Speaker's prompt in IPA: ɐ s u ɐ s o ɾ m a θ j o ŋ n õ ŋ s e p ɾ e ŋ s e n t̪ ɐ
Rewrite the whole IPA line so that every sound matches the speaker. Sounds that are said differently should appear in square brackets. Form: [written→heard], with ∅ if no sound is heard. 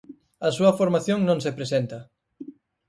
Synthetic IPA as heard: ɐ s u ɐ [s→f] o ɾ m a θ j o ŋ n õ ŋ s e p ɾ e [ŋ→∅] s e n t̪ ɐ